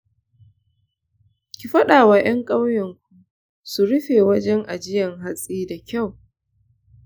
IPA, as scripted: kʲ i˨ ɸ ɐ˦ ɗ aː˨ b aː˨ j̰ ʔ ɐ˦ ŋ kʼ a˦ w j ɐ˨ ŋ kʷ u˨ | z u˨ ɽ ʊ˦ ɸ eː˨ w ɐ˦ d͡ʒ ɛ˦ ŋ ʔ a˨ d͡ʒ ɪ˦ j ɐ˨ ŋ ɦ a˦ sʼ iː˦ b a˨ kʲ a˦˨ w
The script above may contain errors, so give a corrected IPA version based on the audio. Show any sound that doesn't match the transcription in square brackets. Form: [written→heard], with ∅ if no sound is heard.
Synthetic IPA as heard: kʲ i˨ ɸ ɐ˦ ɗ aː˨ [b→w] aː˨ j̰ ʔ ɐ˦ ŋ kʼ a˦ w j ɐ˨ ŋ kʷ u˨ | [z→s] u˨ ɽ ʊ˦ ɸ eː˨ w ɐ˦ d͡ʒ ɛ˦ ŋ ʔ a˨ d͡ʒ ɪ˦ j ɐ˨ ŋ ɦ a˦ sʼ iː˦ [b→d] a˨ kʲ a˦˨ w